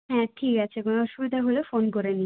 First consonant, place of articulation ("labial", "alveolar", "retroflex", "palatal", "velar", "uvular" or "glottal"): glottal